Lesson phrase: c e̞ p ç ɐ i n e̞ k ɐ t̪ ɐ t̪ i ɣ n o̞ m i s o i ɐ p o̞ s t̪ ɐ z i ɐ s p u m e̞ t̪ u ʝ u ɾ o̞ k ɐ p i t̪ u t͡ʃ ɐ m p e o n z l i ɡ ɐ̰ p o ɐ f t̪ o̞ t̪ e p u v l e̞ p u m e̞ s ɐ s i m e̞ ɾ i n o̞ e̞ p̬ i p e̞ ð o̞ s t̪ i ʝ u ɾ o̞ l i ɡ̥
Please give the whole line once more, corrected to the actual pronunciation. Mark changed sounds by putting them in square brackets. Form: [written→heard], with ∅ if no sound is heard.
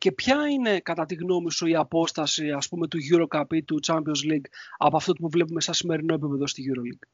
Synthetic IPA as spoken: c e̞ p ç ɐ i n e̞ k ɐ t̪ ɐ t̪ i ɣ n o̞ m i s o i ɐ p o̞ s t̪ ɐ [z→s] i ɐ s p u m e̞ t̪ u ʝ u ɾ o̞ k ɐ p i t̪ u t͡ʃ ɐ m p [e→i] o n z l i ɡ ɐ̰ p o ɐ f t̪ o̞ t̪ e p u v l e̞ p u m e̞ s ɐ s i m e̞ ɾ i n o̞ e̞ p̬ i p e̞ ð o̞ s t̪ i ʝ u ɾ o̞ l i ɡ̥